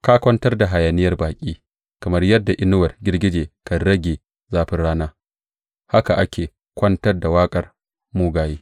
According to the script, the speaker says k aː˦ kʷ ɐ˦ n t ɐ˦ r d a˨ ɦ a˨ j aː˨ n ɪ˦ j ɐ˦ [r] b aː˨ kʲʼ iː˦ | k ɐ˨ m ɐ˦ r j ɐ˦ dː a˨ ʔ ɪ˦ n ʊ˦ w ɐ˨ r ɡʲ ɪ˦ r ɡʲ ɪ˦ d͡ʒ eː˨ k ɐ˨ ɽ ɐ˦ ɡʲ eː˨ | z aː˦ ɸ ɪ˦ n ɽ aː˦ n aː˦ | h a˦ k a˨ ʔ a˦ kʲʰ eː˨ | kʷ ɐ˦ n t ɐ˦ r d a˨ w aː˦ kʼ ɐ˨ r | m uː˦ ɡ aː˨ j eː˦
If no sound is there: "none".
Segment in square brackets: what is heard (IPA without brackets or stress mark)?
r